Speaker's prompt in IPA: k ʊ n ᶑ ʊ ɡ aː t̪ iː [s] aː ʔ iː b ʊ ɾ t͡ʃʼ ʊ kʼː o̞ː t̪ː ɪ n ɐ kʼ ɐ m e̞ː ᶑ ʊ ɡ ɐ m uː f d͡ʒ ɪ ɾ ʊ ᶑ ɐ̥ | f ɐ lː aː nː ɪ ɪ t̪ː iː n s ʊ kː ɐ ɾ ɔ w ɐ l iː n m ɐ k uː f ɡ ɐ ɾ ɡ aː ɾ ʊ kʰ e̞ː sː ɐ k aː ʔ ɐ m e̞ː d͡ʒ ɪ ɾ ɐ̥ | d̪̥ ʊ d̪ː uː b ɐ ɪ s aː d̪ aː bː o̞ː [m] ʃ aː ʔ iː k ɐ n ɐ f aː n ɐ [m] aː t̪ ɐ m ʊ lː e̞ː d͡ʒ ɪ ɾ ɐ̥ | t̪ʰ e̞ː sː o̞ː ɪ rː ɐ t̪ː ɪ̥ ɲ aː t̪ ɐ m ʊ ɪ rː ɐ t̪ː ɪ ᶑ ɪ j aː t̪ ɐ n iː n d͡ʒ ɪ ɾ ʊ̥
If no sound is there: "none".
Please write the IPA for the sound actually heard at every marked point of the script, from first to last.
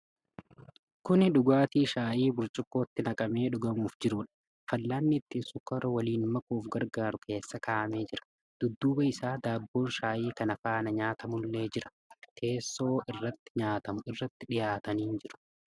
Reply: ʃ, n, ɲ

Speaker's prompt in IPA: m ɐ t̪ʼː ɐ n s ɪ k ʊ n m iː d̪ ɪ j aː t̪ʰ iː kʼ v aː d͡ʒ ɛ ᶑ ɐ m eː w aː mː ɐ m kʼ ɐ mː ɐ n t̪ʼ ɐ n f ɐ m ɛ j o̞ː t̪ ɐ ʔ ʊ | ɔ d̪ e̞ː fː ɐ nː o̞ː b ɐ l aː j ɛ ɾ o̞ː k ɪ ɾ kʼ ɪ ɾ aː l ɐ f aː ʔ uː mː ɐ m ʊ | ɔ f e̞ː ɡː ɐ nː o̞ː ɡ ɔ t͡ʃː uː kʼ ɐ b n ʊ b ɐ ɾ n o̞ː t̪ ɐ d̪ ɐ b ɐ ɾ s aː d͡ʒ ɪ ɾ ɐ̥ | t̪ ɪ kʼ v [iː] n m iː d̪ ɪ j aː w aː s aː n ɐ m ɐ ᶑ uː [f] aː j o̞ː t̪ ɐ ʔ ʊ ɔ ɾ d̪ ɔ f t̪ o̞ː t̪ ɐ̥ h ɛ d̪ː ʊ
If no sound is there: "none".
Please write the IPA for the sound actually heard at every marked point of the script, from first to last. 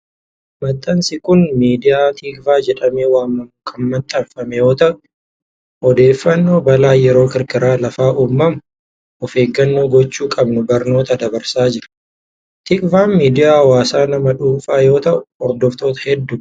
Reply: aː, f

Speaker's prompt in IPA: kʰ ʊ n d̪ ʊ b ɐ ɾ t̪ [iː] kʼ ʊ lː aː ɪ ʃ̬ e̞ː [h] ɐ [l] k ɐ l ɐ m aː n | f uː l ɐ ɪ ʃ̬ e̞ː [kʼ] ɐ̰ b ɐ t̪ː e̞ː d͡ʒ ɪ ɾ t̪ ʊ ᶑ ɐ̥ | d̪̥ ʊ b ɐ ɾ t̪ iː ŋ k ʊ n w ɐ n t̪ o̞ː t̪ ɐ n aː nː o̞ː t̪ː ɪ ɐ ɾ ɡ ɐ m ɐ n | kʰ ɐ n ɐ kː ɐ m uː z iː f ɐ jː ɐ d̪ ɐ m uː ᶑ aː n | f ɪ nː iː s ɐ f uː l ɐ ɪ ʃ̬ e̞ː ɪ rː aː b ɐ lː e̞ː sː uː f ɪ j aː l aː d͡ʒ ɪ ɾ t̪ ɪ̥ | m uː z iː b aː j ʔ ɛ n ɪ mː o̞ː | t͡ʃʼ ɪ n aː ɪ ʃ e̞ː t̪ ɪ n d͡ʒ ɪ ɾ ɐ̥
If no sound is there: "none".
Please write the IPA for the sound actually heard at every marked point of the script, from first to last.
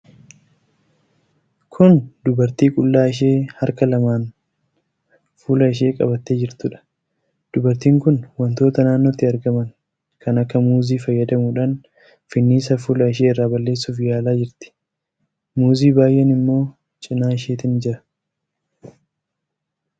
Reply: iː, h, ɾ, kʼ

